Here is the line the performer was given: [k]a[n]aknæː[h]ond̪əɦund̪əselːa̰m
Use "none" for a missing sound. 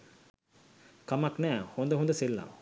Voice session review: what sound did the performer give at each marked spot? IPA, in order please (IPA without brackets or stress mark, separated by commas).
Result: k, m, h